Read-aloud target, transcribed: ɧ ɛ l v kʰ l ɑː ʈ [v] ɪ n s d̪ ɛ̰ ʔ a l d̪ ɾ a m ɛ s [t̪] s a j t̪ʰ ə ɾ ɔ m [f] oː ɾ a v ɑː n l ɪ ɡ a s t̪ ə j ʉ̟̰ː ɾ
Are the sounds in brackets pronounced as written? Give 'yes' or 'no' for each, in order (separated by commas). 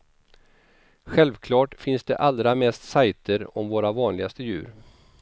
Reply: no, yes, no